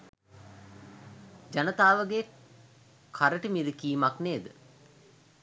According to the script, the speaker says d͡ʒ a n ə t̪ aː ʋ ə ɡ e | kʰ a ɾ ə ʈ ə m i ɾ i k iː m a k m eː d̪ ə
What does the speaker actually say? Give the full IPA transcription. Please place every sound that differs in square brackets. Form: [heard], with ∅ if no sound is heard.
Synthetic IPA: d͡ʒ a n ə t̪ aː ʋ ə ɡ e | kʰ a ɾ ə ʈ ə m i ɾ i k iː m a k [n] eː d̪ ə